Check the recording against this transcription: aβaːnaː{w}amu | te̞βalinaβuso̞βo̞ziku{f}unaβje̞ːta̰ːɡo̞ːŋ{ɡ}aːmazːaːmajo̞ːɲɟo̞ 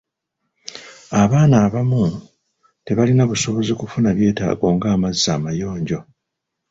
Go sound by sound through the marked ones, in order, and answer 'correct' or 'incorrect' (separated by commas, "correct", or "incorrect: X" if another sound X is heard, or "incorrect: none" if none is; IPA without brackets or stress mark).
incorrect: β, correct, correct